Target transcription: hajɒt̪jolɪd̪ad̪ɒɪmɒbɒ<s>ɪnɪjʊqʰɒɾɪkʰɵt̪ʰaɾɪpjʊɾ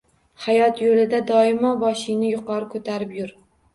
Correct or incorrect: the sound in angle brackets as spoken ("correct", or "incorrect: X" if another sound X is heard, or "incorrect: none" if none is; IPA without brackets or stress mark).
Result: incorrect: ʃ